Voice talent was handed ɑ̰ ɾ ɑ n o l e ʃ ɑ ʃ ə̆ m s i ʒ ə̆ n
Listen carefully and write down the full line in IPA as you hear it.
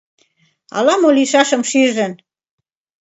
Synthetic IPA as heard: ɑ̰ l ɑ m o l i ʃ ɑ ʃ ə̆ m ʃ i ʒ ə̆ n